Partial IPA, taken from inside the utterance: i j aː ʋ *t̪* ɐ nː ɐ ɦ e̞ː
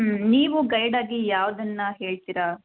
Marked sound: incorrect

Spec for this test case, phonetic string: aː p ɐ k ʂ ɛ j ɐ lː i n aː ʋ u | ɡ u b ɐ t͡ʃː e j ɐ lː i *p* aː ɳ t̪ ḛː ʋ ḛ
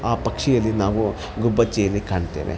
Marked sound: incorrect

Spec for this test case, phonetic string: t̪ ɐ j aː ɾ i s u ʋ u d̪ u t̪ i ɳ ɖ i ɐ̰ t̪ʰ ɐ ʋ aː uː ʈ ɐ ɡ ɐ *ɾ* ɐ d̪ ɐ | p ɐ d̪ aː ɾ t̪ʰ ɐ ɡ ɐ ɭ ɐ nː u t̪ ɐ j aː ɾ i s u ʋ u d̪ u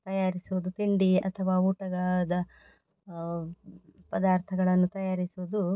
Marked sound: incorrect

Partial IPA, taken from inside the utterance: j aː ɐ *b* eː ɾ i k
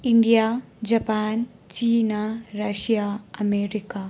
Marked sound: incorrect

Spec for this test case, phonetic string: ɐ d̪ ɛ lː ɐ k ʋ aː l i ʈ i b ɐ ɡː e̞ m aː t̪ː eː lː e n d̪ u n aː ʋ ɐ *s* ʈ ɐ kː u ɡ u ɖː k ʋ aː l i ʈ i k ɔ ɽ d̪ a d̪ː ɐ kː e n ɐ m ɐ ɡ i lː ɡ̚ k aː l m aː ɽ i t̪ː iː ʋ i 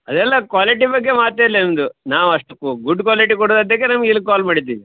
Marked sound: incorrect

